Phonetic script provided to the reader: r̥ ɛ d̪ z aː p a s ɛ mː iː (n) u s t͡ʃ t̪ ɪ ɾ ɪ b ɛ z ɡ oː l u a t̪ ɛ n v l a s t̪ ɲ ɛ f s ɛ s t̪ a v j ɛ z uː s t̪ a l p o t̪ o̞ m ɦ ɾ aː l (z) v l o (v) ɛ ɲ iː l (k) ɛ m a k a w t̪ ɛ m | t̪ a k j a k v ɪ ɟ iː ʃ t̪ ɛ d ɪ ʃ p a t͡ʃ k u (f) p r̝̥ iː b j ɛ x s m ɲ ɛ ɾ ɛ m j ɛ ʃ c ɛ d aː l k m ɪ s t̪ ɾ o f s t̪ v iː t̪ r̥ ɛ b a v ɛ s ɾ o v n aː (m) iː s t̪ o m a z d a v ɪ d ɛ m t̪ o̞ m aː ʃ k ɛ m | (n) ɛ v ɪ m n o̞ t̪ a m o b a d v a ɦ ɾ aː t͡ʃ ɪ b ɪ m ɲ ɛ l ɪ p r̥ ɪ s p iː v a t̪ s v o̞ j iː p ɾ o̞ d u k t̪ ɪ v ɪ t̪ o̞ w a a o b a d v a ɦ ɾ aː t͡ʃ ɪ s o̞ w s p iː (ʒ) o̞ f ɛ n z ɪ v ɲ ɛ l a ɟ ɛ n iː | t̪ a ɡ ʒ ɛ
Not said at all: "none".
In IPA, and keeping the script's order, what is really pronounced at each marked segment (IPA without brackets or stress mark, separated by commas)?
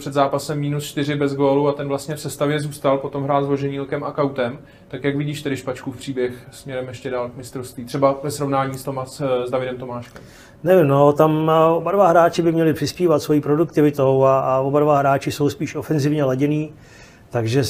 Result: n, z, ʒ, k, f, ɲ, n, ʃ